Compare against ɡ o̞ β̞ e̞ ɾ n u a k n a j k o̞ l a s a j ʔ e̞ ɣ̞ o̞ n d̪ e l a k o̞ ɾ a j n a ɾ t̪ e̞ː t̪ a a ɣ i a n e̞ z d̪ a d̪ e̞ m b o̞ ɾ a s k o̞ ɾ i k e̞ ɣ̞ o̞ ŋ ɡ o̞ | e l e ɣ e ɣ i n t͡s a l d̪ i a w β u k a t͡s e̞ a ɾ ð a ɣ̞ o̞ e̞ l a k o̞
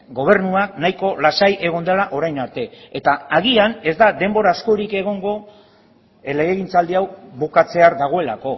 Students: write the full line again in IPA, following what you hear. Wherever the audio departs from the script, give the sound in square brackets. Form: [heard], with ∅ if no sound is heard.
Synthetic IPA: ɡ o̞ β̞ e̞ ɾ n u a k n a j k o̞ l a s a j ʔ e̞ ɣ̞ o̞ n d̪ e l a [ʔ] o̞ ɾ a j n a ɾ t̪ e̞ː t̪ a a ɣ i a n e̞ z d̪ a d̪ e̞ m b o̞ ɾ a s k o̞ ɾ i k e̞ ɣ̞ o̞ ŋ ɡ o̞ | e l e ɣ e ɣ i n t͡s a l d̪ i a w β u k a t͡s e̞ a ɾ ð a ɣ̞ o̞ e̞ l a k o̞